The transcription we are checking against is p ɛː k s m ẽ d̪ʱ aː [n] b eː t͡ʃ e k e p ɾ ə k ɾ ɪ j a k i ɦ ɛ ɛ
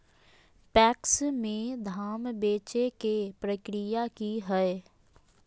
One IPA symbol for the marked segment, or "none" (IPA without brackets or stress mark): m